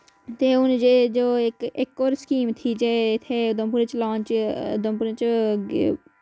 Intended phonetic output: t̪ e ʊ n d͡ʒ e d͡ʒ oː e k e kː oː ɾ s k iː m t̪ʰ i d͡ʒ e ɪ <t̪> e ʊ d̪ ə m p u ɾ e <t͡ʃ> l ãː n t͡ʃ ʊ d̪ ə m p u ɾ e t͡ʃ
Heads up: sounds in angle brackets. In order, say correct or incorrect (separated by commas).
incorrect, correct